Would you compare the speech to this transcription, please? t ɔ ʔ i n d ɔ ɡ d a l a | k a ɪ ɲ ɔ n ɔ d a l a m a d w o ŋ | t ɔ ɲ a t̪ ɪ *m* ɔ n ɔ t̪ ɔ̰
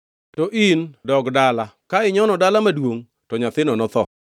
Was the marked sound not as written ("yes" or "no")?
yes